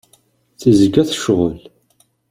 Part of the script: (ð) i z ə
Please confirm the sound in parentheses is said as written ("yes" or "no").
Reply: no